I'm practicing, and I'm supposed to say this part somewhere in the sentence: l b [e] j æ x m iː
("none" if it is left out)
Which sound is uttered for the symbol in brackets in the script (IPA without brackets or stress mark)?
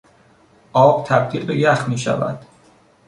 e